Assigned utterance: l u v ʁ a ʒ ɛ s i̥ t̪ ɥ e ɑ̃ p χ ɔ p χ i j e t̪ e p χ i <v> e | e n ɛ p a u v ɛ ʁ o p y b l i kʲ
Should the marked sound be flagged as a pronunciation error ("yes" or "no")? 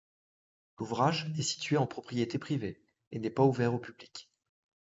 no